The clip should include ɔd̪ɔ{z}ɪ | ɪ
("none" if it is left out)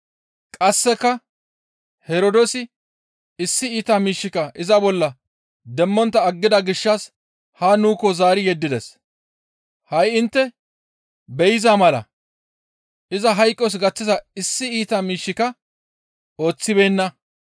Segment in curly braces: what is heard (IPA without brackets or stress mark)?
s